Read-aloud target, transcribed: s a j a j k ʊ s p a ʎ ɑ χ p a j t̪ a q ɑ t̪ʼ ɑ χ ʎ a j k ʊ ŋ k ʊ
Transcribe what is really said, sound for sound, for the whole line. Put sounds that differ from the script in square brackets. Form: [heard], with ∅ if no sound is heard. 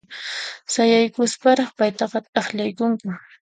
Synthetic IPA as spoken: s a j a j k ʊ s p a [ɾ] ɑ χ p a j t̪ [ɑ] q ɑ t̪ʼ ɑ χ ʎ a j k ʊ ŋ k ʊ